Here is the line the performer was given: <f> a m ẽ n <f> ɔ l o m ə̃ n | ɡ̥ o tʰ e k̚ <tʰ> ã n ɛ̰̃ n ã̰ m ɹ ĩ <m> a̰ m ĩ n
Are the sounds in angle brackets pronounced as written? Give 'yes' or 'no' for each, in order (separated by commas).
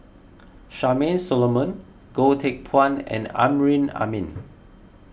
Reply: no, no, no, no